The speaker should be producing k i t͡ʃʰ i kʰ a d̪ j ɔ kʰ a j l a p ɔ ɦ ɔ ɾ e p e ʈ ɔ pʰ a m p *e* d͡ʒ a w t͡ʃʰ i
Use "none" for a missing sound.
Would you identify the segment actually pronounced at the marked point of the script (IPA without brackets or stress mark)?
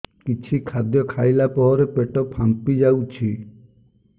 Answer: i